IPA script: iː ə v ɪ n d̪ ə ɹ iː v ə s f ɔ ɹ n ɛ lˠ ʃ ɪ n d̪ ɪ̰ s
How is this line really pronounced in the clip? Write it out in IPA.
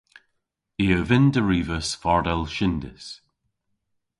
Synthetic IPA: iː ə v ɪ n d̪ ə ɹ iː v ə s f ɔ ɹ d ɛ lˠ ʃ ɪ n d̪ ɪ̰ s